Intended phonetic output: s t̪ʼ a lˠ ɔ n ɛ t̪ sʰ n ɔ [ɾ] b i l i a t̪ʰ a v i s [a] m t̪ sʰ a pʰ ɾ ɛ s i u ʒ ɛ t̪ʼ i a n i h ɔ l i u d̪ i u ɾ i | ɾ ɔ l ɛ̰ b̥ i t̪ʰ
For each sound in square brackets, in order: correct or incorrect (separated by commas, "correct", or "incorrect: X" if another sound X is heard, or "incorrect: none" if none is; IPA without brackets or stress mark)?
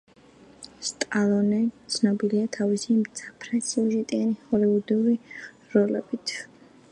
incorrect: none, incorrect: i